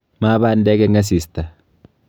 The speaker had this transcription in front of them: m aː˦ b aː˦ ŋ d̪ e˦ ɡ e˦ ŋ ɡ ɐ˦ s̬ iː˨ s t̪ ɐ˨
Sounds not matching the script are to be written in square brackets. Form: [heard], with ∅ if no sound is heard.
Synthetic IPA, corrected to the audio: m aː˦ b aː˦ [n] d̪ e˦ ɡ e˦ ŋ ɡ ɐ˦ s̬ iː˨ s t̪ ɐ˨